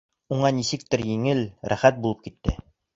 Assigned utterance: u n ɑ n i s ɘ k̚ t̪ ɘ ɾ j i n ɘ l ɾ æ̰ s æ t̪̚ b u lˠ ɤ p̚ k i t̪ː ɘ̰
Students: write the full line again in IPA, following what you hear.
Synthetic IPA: u ɴ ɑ n i s ɘ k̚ t̪ ɘ ɾ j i ŋ ɘ l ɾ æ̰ χ æ t̪̚ b u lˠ ɤ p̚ k i t̪ː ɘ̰